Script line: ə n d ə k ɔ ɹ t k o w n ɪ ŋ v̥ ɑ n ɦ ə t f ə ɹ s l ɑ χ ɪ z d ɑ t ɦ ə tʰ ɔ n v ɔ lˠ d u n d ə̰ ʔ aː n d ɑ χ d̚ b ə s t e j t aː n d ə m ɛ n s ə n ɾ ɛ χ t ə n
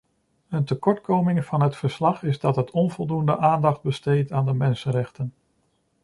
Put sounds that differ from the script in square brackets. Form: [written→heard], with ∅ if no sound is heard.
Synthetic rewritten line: ə n [d→t] ə k ɔ ɹ t k o w [n→m] ɪ ŋ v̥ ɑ n ɦ ə t f ə ɹ s l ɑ χ ɪ z d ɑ t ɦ ə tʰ ɔ n v ɔ lˠ d u n d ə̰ ʔ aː n d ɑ χ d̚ b ə s t e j t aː n d ə m ɛ n s ə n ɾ ɛ χ t ə n